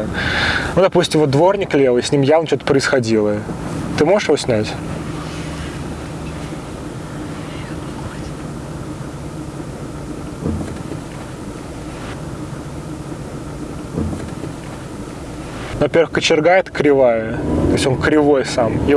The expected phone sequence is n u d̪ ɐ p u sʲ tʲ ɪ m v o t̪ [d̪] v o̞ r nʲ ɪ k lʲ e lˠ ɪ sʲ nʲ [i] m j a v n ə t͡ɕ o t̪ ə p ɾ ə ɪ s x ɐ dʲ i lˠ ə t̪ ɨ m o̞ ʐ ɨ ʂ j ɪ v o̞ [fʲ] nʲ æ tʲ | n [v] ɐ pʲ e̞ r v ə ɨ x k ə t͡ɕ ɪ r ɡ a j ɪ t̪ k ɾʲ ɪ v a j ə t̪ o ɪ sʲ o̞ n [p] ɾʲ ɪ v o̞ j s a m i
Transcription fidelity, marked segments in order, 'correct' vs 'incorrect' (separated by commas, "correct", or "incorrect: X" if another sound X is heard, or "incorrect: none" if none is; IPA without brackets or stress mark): correct, correct, incorrect: sʲ, correct, incorrect: k